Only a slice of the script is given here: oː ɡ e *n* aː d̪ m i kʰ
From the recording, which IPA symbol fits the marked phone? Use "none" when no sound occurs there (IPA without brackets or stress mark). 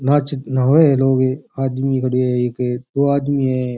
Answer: none